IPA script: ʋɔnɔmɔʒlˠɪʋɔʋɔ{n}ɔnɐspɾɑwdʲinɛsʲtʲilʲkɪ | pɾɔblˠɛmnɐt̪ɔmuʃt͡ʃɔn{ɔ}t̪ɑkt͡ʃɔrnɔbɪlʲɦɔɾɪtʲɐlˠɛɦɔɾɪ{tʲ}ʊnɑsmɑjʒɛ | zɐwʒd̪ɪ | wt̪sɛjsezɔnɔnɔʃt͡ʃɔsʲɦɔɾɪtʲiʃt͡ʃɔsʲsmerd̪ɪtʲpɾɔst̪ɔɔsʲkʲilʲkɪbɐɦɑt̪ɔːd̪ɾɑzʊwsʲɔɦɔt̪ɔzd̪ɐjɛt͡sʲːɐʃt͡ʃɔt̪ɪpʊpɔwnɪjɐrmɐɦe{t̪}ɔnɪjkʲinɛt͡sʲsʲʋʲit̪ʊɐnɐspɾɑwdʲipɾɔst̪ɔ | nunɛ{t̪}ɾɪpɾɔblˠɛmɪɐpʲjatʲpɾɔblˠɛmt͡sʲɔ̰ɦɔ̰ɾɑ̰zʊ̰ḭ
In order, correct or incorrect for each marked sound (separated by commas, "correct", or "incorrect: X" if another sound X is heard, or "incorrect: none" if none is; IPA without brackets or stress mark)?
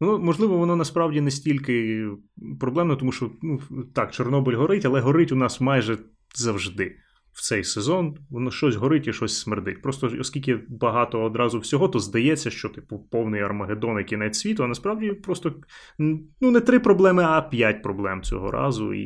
correct, incorrect: u, correct, incorrect: d̪, correct